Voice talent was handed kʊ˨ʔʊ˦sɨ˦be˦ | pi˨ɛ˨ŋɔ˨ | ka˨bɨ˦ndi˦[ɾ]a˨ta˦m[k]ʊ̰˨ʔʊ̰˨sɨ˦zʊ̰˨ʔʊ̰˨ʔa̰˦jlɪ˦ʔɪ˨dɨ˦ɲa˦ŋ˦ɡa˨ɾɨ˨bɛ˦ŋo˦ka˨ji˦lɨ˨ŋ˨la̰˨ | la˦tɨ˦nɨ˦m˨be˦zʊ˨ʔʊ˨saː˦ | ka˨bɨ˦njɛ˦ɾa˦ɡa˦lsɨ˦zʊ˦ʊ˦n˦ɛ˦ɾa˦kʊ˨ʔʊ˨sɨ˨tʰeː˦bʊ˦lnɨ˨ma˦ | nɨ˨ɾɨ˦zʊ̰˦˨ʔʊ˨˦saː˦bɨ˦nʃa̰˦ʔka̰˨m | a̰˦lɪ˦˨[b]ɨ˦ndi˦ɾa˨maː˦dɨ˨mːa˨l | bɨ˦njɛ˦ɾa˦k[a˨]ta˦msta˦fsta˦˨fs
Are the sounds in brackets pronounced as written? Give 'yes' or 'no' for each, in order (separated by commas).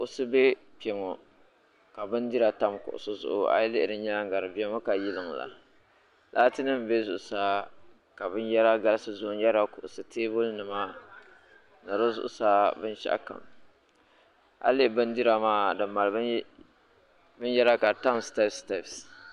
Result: yes, yes, yes, yes